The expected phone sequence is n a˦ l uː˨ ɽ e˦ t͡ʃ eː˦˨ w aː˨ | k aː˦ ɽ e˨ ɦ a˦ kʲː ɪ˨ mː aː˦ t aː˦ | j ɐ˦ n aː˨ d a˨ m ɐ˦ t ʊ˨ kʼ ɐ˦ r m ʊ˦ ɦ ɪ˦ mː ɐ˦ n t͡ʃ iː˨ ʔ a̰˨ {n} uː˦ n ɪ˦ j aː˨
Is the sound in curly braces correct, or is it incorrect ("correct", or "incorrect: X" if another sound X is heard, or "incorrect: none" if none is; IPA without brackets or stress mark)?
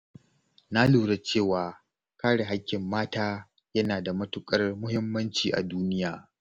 incorrect: d